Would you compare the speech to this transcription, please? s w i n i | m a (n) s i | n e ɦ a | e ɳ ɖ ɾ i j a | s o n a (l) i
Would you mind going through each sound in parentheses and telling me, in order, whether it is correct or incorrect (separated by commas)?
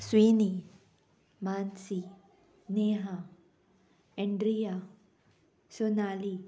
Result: correct, correct